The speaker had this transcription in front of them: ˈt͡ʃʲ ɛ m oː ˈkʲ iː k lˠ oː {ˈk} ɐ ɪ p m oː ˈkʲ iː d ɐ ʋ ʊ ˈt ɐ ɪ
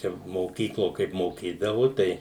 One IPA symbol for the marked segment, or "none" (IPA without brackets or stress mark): k